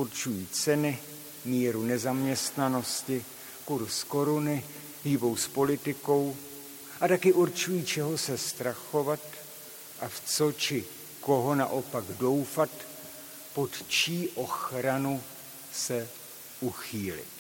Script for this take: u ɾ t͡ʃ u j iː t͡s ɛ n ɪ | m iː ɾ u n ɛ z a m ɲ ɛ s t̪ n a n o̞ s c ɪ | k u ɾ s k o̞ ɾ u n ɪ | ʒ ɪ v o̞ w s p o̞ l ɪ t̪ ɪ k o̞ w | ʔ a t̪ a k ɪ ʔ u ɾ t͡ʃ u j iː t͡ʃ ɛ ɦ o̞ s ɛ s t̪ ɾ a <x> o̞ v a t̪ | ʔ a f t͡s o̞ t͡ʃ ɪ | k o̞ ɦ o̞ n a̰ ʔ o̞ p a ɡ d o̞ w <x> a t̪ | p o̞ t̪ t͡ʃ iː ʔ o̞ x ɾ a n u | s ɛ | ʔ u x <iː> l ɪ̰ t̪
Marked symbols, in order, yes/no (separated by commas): yes, no, yes